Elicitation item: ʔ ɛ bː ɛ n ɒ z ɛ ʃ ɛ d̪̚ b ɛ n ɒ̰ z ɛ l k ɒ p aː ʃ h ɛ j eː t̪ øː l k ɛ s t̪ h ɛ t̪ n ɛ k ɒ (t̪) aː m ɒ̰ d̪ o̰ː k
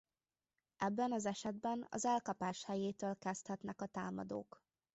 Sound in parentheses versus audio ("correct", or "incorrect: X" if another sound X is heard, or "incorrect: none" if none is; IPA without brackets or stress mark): correct